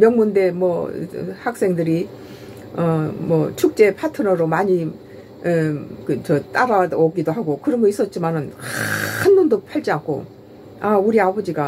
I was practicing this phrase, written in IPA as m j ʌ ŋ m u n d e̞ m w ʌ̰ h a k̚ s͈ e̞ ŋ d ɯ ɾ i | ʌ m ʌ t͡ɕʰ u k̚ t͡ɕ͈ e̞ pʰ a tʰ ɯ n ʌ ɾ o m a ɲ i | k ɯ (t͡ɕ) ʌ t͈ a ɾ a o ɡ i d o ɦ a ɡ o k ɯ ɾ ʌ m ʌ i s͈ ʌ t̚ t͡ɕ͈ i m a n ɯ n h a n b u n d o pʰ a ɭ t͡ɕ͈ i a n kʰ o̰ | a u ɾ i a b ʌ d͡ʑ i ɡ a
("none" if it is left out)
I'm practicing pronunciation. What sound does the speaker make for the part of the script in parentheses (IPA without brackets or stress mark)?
t͡ɕ